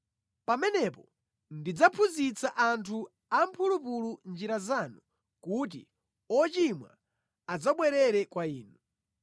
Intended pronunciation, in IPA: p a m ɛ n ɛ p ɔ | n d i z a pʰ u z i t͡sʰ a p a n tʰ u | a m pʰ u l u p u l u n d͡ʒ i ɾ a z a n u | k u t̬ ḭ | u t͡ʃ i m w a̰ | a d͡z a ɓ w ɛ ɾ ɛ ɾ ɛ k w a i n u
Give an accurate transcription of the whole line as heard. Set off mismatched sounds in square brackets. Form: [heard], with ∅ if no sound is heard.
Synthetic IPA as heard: p a m ɛ n ɛ p ɔ | n d i [d͡z] a pʰ u z i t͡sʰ a [ʔ] a n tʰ u | a m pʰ u l u p u l u n d͡ʒ i ɾ a z a n u | k u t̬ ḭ | [ɔ] t͡ʃ i m w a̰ | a d͡z a ɓ w ɛ ɾ ɛ ɾ ɛ k w a [iː] n u